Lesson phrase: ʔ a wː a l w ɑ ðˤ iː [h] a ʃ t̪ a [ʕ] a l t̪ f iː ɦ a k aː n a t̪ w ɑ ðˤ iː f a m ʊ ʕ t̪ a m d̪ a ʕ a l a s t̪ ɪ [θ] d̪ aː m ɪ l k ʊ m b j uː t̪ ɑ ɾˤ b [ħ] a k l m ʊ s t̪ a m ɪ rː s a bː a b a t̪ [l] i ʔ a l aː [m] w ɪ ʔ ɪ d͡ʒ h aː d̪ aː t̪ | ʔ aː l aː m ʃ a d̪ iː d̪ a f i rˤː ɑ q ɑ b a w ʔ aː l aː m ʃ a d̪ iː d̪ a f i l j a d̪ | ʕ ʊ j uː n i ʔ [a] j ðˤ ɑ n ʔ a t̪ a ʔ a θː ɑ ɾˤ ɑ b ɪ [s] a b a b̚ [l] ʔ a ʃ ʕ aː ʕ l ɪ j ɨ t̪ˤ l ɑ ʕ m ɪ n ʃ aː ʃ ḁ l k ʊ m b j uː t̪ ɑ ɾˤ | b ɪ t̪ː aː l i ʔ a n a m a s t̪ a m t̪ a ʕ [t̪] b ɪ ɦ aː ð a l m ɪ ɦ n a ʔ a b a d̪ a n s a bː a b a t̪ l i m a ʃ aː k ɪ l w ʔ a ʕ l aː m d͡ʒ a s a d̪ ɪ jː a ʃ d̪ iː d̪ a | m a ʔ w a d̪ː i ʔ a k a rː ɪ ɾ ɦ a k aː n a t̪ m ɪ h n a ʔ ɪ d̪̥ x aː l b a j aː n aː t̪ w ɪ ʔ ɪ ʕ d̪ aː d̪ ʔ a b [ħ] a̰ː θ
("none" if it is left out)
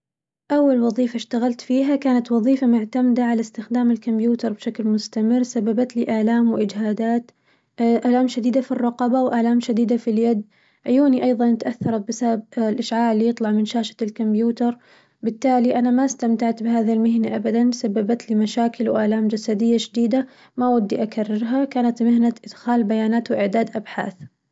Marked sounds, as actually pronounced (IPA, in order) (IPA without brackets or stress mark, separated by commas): f, ɣ, x, ʃ, l, m, ɑ, s, l, t̪, ħ